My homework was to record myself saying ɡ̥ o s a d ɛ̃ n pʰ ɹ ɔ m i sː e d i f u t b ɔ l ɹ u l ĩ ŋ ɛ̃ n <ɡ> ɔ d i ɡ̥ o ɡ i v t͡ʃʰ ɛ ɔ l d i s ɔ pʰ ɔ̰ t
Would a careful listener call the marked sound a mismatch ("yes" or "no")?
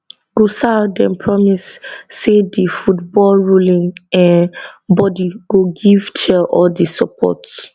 yes